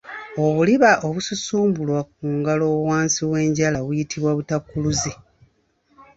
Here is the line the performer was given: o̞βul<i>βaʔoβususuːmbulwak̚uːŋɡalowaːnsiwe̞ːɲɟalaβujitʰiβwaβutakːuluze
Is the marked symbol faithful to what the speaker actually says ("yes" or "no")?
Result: yes